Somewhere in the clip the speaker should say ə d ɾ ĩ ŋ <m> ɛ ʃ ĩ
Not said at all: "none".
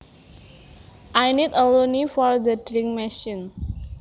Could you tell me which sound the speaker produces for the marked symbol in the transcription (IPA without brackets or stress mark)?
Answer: m